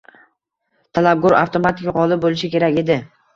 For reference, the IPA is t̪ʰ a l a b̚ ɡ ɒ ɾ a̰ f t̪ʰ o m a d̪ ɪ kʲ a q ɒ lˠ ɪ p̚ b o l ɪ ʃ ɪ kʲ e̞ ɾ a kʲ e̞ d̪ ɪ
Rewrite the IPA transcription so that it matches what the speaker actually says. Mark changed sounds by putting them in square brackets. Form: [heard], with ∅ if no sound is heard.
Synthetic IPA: t̪ʰ a l a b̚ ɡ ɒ ɾ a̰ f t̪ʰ o m a [t̪] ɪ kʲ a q ɒ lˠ ɪ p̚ b o l ɪ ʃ ɪ kʲ e̞ ɾ a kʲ e̞ d̪ ɪ